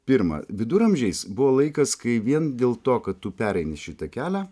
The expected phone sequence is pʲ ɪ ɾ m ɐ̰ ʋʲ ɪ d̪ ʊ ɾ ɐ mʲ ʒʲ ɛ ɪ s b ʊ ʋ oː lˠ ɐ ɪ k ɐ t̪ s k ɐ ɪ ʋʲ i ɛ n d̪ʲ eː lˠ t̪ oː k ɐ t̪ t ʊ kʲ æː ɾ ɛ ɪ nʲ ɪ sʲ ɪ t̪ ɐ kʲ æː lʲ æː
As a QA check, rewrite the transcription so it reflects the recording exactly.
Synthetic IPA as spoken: pʲ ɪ ɾ m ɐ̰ ʋʲ ɪ d̪ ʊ ɾ ɐ mʲ ʒʲ ɛ ɪ s b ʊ ʋ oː lˠ ɐ ɪ k ɐ s k ɐ ɪ ʋʲ i ɛ n d̪ʲ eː lˠ t̪ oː k ɐ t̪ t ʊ pʲ æː ɾ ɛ ɪ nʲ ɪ ʃʲ ɪ t̪ ɐ kʲ æː lʲ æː